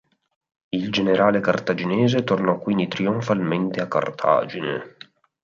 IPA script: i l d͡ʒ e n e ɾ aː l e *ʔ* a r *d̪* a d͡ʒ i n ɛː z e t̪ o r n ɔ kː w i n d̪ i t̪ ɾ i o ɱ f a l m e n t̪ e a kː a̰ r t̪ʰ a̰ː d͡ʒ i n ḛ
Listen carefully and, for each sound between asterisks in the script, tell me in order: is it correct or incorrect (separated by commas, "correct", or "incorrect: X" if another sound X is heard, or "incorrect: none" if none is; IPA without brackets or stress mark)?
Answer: incorrect: k, incorrect: t̪